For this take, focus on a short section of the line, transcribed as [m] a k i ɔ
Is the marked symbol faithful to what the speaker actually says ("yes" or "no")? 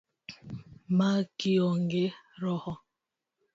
yes